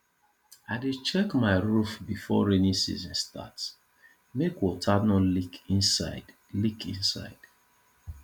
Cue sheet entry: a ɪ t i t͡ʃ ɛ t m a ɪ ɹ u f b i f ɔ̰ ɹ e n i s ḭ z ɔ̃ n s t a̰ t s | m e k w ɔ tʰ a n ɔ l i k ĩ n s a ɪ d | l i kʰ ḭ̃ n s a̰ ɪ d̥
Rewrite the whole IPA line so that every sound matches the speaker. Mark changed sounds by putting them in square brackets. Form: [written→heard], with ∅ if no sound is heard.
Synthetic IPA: a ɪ [t→d] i t͡ʃ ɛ [t→k] m a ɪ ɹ u f b i f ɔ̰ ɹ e n i s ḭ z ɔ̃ n s t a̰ t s | m e k w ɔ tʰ a n ɔ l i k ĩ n s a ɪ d | l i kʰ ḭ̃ n s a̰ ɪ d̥